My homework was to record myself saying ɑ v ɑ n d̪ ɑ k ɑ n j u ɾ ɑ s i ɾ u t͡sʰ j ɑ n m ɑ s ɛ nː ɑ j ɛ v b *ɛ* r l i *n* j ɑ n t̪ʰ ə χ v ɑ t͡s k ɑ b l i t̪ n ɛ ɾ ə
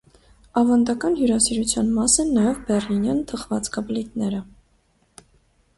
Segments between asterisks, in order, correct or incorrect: correct, correct

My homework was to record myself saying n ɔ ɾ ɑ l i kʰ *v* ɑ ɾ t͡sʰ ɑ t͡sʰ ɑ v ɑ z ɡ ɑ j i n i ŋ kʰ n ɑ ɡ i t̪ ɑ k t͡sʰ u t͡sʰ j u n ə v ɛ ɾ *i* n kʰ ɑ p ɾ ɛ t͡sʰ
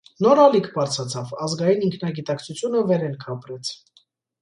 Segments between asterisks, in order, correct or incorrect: incorrect, incorrect

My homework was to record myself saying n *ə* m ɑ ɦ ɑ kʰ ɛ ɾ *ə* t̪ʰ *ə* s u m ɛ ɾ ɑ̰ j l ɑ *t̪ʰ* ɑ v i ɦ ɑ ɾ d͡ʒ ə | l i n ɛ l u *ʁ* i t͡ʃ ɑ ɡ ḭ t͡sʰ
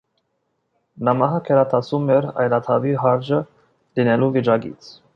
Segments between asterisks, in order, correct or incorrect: incorrect, incorrect, incorrect, correct, incorrect

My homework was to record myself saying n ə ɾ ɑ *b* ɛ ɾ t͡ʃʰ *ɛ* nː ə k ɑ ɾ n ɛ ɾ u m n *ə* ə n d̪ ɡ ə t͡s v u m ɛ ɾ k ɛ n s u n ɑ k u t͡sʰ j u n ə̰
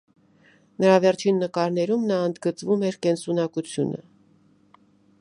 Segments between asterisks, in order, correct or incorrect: incorrect, incorrect, incorrect

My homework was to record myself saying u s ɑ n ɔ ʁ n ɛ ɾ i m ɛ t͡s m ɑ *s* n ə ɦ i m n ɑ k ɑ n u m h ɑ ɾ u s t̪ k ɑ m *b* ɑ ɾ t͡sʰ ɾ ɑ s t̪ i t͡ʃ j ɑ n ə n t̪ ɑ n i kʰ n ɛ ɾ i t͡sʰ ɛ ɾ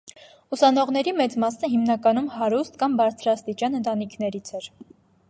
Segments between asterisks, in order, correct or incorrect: correct, correct

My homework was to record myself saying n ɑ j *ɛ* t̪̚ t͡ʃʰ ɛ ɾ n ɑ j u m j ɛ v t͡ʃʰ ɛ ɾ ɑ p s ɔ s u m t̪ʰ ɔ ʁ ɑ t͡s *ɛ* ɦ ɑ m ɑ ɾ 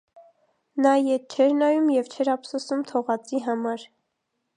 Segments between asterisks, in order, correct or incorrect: correct, incorrect

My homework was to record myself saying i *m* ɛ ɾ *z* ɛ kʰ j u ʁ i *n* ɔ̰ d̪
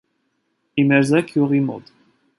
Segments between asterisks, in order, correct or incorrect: correct, correct, incorrect

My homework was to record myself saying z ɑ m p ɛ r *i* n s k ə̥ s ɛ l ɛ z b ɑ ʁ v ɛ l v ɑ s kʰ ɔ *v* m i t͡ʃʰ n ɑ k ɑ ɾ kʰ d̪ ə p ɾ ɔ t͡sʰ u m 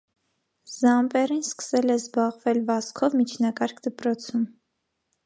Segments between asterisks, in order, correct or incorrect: correct, correct

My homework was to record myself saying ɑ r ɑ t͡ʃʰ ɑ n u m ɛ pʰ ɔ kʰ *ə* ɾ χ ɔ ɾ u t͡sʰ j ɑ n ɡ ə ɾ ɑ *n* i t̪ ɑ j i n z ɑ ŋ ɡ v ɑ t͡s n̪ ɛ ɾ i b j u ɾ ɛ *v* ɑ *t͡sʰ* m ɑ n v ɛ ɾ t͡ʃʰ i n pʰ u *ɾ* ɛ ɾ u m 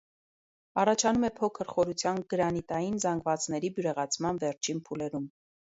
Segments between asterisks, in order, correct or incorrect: correct, correct, incorrect, correct, incorrect

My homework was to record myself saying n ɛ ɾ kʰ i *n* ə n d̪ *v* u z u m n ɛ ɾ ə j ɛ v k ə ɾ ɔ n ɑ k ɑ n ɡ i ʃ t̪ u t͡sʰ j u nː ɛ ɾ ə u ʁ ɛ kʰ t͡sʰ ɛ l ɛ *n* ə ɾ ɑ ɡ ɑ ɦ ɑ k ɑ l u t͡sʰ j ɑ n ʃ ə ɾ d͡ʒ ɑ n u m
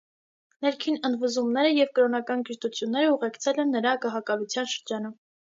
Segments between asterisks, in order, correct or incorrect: correct, correct, incorrect

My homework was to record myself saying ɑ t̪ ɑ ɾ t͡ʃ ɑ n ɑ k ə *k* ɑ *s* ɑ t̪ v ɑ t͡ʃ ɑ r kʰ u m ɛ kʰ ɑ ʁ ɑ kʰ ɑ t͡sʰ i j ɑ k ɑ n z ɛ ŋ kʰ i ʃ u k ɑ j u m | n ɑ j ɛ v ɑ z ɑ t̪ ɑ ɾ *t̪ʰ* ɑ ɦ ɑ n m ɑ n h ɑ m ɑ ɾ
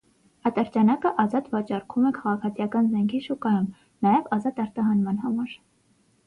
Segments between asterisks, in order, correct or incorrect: incorrect, incorrect, incorrect

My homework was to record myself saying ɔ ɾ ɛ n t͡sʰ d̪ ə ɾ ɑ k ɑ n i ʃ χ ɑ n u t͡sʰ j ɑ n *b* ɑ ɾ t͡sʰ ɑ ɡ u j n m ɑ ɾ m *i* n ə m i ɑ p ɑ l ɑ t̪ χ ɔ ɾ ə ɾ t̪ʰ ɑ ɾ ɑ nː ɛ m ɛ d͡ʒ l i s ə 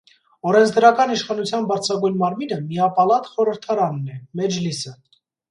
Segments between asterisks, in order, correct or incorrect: correct, correct

